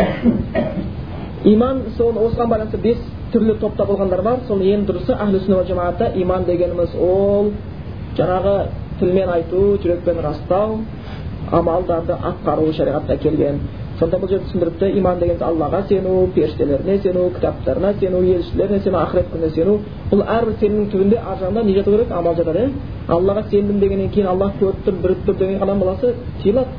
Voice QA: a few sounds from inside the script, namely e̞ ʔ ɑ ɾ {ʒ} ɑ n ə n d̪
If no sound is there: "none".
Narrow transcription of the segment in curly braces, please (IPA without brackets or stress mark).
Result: ʒ